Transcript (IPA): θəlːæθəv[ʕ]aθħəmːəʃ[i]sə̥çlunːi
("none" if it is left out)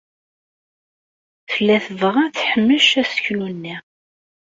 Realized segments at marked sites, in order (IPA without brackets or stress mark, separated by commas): ʁ, æ